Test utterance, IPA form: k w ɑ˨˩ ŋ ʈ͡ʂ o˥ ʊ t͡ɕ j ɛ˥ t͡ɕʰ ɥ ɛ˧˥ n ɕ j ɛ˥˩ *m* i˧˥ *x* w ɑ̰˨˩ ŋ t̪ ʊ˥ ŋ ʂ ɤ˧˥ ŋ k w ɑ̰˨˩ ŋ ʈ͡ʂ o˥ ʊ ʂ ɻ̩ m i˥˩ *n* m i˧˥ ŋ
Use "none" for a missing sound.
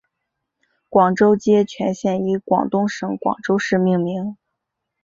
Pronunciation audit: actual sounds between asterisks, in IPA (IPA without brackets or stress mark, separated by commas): n, k, ŋ